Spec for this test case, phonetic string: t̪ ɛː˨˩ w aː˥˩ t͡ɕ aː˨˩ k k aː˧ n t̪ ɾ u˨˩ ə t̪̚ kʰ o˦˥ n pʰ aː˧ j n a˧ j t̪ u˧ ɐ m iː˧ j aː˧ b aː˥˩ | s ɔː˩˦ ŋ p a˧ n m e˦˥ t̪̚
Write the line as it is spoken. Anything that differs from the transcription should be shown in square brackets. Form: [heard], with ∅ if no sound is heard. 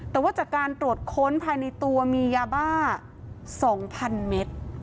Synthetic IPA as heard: t̪ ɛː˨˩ w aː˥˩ t͡ɕ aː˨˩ k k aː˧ n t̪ ɾ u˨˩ ə t̪̚ kʰ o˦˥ n pʰ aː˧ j n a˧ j t̪ u˧ ɐ m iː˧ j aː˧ b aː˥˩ | s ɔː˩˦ ŋ [pʰ] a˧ n m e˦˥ t̪̚